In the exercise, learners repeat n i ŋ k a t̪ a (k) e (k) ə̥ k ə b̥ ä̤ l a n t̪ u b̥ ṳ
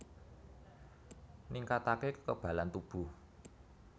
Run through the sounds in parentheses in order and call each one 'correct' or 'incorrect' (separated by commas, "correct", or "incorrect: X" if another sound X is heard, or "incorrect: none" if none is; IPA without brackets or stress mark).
correct, correct